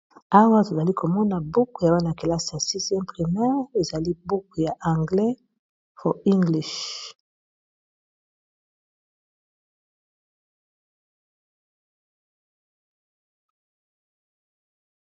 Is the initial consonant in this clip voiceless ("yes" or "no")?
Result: no